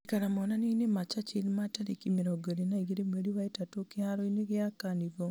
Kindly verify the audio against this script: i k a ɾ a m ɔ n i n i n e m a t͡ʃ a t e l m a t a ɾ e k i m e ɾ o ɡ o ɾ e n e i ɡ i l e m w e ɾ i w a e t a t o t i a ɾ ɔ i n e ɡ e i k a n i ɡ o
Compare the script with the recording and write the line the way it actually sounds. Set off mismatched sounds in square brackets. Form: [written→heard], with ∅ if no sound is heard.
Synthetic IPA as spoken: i k a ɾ a m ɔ n [i→a] n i n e m a t͡ʃ a [t→t͡ʃ] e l m a t a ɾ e k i m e ɾ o ɡ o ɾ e n [e→a] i ɡ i [l→ɾ] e m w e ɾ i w a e t a t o [t→k] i a ɾ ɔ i n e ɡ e [i→a] k a n i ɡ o